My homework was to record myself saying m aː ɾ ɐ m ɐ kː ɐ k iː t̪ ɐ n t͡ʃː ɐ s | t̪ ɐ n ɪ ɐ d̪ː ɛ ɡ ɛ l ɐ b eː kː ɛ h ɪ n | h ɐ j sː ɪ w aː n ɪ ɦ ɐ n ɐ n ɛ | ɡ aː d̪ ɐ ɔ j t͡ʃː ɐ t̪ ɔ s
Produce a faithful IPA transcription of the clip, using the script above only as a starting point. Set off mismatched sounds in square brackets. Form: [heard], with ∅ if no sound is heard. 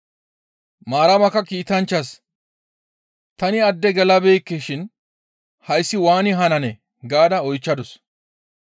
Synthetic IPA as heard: m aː ɾ ɐ m ɐ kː ɐ k iː t̪ ɐ n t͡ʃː ɐ s | t̪ ɐ n ɪ ɐ d̪ː ɛ ɡ ɛ l ɐ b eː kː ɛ [ʃ] ɪ n | h ɐ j sː ɪ w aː n ɪ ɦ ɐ n ɐ n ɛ | ɡ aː d̪ ɐ ɔ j t͡ʃː ɐ [d̪] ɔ s